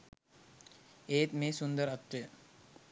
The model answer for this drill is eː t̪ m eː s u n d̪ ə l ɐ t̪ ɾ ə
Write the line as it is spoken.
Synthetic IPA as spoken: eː t̪ m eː s u n d̪ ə ɾ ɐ t̪ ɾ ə